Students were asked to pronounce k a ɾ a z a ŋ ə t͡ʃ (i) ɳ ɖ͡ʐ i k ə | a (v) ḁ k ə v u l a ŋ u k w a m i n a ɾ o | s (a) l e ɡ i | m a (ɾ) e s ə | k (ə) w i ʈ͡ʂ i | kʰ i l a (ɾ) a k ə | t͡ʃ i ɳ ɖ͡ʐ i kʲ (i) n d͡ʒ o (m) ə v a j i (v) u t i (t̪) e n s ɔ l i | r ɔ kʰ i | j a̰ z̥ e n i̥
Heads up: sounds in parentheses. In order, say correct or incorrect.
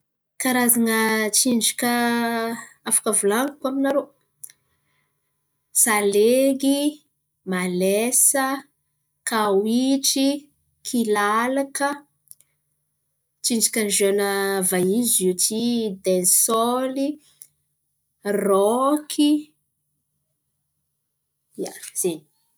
correct, incorrect: f, correct, incorrect: l, incorrect: a, incorrect: l, incorrect: a, incorrect: n, incorrect: z, incorrect: d̪

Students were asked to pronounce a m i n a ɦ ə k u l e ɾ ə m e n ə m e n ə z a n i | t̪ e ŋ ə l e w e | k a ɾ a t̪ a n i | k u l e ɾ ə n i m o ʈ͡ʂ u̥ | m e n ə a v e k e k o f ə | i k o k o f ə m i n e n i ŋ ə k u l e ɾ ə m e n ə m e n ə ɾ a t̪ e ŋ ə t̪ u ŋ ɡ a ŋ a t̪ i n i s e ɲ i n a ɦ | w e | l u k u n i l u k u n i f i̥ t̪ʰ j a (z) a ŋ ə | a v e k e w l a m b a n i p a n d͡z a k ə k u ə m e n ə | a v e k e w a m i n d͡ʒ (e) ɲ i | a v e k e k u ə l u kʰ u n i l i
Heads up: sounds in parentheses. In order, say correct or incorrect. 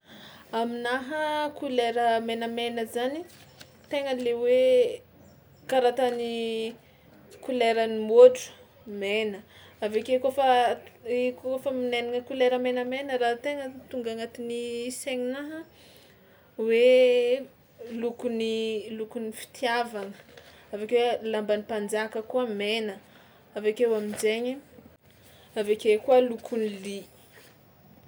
incorrect: v, correct

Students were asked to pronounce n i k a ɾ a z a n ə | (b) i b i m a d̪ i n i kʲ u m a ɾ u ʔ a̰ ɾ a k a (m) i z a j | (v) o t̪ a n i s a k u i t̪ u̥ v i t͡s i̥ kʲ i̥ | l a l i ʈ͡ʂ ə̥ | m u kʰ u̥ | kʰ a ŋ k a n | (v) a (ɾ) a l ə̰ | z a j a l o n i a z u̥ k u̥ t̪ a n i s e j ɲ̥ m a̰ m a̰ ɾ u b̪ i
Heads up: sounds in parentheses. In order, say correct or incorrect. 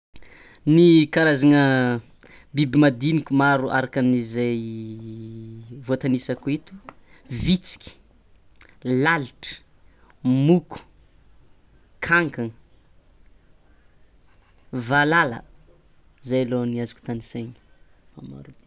correct, incorrect: n, correct, correct, incorrect: l

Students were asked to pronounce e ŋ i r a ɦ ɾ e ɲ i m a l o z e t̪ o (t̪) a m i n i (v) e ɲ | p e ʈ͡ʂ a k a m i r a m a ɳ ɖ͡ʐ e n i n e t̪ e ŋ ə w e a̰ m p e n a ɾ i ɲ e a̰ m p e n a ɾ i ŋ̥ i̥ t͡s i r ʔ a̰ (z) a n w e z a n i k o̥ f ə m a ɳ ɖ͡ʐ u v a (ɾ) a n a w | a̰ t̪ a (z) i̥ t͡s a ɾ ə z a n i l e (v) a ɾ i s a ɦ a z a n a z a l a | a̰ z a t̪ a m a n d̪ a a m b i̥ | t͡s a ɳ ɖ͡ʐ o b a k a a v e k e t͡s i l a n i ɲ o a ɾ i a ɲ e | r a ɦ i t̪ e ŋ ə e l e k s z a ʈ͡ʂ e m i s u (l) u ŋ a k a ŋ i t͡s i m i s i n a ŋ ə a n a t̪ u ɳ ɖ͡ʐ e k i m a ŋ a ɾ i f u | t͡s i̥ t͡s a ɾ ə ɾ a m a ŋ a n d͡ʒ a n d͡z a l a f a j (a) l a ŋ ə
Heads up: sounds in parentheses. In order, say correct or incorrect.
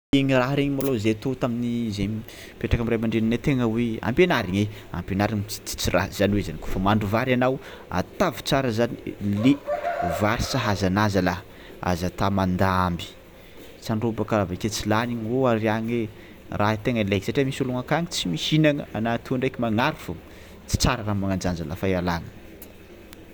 correct, incorrect: z, correct, correct, incorrect: v, correct, correct, correct

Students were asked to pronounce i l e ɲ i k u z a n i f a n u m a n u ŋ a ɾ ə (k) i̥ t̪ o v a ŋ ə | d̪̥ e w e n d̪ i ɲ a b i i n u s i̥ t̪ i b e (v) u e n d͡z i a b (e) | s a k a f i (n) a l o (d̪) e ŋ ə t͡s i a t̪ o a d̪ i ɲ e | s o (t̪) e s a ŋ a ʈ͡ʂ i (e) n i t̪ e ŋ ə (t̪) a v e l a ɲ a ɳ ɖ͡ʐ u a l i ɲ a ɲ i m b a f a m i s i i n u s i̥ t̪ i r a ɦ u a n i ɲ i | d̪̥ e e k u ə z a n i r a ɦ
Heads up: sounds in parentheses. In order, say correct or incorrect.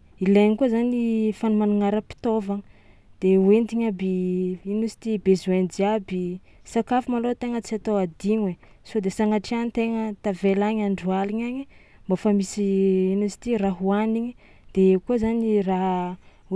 incorrect: p, incorrect: z, incorrect: i, incorrect: m, incorrect: t̪, incorrect: d̪, incorrect: a, correct

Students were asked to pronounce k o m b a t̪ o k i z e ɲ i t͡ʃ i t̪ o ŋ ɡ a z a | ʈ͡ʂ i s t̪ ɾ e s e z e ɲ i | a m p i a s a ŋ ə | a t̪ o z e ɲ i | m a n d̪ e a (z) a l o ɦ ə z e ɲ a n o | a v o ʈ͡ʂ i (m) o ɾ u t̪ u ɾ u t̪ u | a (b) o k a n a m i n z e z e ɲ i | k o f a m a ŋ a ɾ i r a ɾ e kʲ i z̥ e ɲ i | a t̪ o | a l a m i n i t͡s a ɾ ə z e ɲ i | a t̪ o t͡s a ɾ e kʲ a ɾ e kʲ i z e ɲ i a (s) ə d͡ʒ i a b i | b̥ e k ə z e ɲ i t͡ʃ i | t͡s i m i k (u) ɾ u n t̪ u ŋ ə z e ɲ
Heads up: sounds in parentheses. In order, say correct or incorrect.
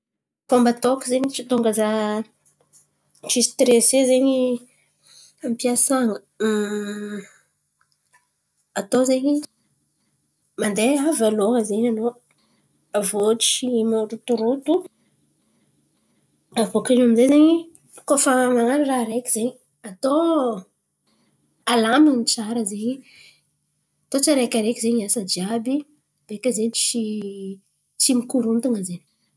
incorrect: v, correct, incorrect: v, correct, correct

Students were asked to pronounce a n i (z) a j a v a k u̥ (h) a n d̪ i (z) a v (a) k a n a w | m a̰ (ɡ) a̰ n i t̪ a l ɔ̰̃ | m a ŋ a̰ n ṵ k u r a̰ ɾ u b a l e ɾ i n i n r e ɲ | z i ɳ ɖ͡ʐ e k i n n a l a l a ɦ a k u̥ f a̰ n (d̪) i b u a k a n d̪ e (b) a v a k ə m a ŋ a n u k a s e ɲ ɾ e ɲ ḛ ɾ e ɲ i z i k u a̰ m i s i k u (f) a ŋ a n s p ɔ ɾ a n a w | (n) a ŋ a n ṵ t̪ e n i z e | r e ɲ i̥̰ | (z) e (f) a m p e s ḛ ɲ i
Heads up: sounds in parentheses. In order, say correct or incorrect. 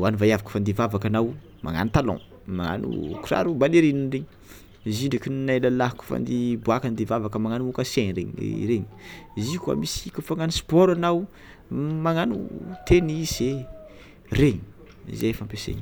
incorrect: v, incorrect: f, incorrect: v, correct, incorrect: ŋ, correct, incorrect: v, correct, incorrect: m, correct, correct

